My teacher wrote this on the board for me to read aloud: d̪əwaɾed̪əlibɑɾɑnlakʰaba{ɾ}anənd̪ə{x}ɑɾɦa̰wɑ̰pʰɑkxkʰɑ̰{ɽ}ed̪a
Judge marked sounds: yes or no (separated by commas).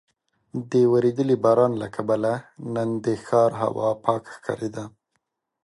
no, yes, no